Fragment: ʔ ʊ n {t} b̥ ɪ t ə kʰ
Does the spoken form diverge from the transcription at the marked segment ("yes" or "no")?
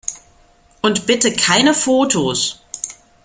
no